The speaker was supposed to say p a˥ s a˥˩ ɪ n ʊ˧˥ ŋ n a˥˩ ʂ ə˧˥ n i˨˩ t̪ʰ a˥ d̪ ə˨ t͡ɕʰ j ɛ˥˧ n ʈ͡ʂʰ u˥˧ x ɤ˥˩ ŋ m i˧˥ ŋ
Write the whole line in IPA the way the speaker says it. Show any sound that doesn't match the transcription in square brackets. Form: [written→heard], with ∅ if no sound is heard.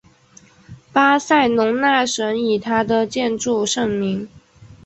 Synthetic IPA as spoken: p a˥ s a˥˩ ɪ n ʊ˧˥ ŋ n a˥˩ ʂ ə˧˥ n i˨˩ t̪ʰ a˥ d̪ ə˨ [t͡ɕʰ→t͡ɕ] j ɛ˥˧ n [ʈ͡ʂʰ→ʈ͡ʂ] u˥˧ [x→ʂ] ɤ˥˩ ŋ m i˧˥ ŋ